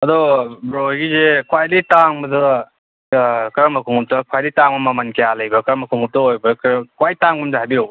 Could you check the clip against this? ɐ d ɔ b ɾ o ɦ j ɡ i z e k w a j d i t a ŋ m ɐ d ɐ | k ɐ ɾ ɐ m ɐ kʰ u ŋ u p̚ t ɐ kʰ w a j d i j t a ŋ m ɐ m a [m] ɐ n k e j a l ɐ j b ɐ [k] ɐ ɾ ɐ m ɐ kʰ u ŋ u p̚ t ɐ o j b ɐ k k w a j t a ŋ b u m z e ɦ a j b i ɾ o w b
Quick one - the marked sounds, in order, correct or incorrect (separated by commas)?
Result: correct, correct